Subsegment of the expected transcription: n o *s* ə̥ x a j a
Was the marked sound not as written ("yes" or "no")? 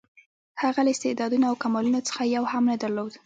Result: yes